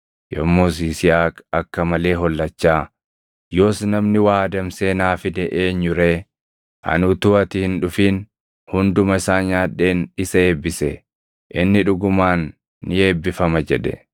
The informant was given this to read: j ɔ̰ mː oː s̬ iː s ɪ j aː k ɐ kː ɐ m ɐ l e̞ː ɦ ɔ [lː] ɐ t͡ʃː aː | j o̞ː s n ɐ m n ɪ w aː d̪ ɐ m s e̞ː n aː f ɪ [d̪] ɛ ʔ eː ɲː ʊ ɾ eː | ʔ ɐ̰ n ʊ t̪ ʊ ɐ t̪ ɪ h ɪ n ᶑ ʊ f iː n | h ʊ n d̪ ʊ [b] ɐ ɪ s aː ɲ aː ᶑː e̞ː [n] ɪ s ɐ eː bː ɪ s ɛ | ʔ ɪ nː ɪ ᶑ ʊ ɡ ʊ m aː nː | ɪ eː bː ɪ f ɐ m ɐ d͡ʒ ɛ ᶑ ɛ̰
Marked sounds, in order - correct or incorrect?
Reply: correct, correct, incorrect: m, correct

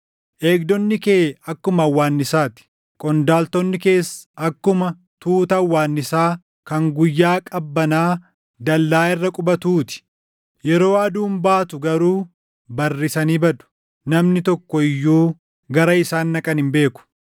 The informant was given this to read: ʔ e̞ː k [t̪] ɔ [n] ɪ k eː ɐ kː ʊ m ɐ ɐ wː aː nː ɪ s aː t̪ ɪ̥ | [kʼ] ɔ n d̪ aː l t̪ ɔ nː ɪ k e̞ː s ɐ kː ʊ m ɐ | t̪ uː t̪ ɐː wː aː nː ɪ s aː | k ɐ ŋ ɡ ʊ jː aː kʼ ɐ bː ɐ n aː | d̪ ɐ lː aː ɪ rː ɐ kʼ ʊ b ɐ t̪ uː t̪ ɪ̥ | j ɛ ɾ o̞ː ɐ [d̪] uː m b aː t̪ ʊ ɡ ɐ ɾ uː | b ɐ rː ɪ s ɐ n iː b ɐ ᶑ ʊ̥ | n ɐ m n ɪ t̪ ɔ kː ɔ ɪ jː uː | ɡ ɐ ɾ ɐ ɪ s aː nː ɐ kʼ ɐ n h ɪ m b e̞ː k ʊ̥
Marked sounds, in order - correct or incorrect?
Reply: incorrect: d̪, incorrect: nː, correct, correct

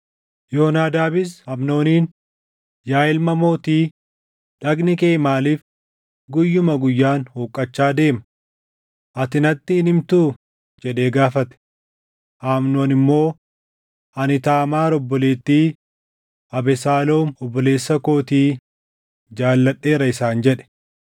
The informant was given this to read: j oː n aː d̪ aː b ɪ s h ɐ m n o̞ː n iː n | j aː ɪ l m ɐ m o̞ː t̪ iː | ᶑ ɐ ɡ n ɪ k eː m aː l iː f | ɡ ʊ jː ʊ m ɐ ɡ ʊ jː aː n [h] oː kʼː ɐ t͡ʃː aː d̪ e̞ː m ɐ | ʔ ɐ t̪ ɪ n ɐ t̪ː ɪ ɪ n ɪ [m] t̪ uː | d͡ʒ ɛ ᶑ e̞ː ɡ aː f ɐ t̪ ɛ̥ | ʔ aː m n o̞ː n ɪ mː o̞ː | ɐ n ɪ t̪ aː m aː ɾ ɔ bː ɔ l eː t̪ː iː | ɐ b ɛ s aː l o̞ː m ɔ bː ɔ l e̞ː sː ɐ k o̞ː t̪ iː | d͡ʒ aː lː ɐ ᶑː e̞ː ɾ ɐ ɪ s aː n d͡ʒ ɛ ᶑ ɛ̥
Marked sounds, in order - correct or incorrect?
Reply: correct, correct

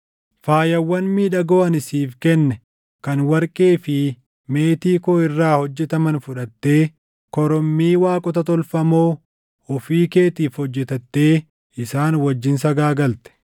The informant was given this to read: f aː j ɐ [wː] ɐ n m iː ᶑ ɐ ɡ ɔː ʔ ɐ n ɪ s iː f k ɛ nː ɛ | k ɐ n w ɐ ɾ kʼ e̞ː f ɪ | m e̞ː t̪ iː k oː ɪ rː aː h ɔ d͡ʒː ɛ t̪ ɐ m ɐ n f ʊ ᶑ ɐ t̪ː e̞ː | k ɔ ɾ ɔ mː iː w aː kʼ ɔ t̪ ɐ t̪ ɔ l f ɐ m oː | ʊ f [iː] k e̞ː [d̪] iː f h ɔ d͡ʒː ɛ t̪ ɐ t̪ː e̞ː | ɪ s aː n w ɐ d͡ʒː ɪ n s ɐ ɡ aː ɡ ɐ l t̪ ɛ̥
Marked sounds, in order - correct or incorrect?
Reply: correct, correct, incorrect: t̪

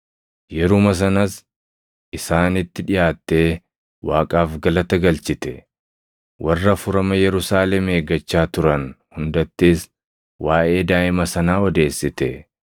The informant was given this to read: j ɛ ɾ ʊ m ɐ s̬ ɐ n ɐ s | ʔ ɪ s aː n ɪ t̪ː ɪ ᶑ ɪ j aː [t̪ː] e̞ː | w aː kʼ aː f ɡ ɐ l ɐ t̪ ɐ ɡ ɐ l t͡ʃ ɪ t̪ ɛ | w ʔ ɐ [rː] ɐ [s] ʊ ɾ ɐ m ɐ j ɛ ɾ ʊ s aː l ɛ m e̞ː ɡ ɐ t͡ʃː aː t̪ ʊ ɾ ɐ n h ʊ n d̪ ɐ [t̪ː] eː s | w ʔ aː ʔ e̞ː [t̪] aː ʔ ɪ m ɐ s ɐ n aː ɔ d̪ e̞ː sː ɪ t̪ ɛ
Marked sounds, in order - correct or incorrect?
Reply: correct, correct, incorrect: f, correct, incorrect: d̪

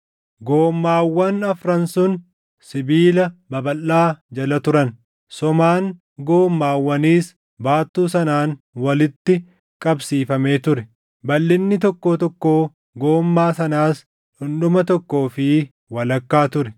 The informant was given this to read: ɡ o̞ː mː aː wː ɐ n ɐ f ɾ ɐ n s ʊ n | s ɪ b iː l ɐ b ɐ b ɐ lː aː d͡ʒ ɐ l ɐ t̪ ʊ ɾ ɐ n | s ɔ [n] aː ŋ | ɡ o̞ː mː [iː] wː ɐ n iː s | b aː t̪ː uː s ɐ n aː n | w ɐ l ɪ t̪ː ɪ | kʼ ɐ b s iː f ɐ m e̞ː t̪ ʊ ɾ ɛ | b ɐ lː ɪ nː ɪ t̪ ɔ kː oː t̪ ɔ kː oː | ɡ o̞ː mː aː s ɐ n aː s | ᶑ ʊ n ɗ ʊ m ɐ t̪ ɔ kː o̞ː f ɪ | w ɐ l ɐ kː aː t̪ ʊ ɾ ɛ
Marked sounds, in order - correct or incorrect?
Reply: incorrect: m, incorrect: aː

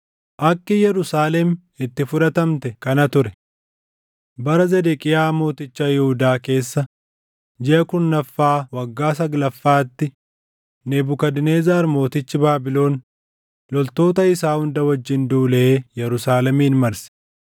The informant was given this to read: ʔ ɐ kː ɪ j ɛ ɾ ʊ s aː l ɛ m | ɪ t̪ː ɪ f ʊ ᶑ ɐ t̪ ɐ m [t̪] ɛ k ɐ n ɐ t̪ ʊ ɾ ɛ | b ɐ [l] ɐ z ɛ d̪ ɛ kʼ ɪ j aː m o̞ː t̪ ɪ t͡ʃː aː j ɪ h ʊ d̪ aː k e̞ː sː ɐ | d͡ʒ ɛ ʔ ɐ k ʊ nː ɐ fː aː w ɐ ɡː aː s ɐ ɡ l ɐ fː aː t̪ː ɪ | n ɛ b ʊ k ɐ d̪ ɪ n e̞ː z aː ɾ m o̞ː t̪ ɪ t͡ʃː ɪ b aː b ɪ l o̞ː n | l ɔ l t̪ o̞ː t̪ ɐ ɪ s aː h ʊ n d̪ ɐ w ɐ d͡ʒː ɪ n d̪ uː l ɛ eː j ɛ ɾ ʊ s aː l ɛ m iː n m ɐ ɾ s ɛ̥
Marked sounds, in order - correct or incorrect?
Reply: correct, incorrect: ɾ

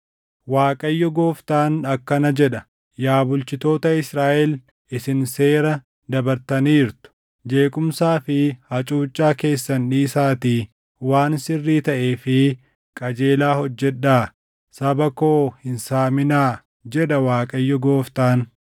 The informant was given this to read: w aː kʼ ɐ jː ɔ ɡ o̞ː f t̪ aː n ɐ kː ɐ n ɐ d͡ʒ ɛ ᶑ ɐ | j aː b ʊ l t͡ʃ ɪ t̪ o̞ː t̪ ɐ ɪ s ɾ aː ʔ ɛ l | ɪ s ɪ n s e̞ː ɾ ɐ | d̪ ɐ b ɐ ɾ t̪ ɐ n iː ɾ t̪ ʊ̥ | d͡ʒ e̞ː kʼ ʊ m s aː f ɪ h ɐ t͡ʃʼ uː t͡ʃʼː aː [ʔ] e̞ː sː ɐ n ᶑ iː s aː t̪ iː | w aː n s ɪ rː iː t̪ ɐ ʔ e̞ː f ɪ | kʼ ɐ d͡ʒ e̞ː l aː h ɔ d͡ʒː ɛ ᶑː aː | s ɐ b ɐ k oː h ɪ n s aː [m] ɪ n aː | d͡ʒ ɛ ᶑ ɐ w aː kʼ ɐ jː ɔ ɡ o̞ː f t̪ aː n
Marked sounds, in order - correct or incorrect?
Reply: incorrect: k, correct

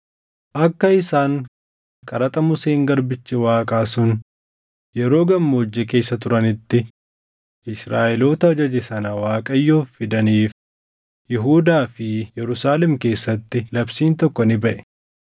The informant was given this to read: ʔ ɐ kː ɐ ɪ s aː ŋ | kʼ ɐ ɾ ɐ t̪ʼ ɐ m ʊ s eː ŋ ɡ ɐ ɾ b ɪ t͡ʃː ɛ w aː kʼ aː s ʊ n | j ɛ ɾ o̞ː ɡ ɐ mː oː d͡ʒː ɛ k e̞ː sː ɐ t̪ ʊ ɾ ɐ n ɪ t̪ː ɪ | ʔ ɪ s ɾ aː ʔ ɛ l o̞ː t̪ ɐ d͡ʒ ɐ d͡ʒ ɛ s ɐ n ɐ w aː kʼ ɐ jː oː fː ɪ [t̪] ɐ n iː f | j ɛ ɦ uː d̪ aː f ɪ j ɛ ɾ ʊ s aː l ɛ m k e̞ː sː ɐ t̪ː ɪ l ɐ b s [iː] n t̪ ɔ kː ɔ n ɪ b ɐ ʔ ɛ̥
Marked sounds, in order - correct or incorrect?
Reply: incorrect: d̪, correct

